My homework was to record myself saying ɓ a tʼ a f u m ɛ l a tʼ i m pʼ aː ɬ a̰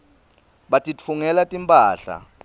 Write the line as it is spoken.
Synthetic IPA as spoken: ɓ a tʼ i f u ŋ ɛ l a tʼ i m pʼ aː ɬ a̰